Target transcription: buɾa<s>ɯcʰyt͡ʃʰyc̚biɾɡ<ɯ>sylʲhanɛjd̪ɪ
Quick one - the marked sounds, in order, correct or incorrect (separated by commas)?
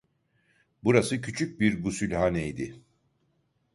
correct, incorrect